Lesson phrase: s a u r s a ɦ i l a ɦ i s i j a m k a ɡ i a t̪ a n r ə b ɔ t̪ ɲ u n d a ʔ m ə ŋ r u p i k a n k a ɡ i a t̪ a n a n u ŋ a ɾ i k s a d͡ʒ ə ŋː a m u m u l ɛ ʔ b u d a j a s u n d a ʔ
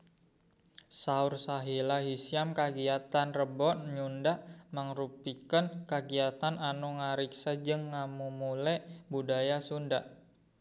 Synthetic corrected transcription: s a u r s a ɦ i l a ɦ i s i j a m k a ɡ i a t̪ a n r ə b ɔ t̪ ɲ u n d a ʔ m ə ŋ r u p i k ə n k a ɡ i a t̪ a n a n u ŋ a ɾ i k s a d͡ʒ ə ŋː a m u m u l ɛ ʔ b u d a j a s u n d a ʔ